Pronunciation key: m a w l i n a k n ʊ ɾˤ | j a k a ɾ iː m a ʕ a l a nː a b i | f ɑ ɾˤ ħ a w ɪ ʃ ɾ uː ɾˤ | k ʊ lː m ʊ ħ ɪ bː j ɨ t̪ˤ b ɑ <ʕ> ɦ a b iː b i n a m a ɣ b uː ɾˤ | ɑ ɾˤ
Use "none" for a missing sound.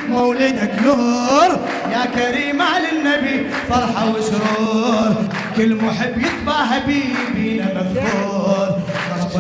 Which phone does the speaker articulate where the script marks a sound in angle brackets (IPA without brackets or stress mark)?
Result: ʕ